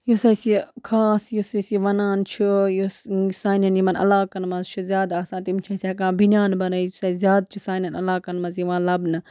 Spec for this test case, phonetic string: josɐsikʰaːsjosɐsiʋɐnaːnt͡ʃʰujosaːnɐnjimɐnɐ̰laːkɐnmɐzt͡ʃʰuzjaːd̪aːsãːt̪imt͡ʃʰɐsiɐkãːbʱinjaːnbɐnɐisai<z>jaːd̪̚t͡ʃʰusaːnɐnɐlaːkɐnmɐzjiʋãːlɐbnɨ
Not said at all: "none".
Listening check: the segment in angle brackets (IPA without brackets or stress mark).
z